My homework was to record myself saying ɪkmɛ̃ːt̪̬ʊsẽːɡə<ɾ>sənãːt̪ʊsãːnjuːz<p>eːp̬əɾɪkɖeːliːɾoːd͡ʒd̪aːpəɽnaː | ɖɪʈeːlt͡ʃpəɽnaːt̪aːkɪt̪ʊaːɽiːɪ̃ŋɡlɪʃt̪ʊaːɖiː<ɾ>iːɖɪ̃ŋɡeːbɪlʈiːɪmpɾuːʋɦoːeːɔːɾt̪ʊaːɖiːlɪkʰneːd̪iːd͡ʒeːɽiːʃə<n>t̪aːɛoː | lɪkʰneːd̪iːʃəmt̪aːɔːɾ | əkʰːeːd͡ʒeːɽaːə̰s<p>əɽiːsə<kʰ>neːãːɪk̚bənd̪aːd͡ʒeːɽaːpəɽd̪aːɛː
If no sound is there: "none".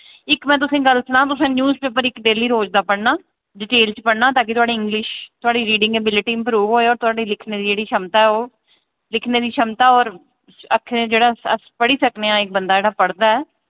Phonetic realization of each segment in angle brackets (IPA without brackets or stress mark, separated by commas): l, p, ɾ, m, p, k